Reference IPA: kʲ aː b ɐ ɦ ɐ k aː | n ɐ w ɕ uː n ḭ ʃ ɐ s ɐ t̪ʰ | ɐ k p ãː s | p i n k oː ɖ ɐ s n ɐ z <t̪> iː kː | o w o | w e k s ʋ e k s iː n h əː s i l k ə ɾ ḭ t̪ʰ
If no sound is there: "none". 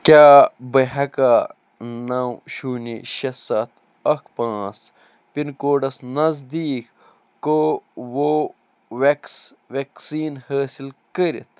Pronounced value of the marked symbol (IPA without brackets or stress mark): d̪